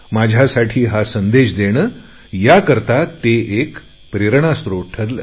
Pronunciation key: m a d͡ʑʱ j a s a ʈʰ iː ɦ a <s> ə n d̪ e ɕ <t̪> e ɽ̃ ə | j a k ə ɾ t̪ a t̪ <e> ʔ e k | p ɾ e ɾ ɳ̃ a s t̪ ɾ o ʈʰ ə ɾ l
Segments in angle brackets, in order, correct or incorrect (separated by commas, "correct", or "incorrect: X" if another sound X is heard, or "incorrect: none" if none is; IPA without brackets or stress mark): correct, incorrect: d̪, correct